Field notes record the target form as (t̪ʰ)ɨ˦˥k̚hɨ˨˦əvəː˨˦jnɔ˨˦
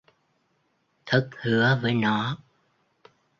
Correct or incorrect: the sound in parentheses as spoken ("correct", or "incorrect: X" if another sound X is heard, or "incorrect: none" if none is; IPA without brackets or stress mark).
correct